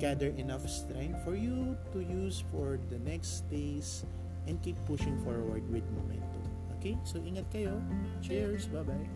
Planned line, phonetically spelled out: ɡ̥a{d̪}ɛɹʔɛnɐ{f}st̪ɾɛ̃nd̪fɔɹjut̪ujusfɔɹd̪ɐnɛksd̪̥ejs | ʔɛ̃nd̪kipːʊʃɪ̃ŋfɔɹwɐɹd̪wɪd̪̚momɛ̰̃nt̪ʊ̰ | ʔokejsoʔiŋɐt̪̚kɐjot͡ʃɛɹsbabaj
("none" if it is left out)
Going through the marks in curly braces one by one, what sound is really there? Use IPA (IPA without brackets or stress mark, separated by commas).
d̪, f